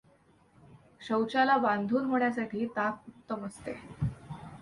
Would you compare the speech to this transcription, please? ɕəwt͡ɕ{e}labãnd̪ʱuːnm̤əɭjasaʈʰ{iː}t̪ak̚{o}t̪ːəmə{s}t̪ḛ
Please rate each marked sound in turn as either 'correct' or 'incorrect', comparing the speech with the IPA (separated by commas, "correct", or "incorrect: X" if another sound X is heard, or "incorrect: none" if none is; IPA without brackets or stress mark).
incorrect: a, correct, incorrect: u, correct